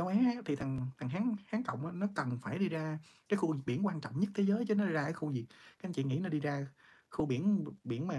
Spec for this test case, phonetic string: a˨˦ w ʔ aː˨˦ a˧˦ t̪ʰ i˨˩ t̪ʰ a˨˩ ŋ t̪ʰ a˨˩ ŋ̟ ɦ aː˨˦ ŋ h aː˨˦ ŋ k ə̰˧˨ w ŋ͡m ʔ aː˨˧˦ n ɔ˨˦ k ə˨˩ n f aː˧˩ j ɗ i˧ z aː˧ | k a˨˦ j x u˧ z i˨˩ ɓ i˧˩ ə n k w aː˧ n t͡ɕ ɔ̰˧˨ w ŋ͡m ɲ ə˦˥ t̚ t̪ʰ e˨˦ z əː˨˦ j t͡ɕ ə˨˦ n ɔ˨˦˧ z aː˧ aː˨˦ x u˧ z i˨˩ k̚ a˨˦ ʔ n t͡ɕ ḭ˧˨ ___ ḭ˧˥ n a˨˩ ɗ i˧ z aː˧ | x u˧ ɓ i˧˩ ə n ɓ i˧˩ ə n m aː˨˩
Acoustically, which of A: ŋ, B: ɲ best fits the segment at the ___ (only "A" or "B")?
A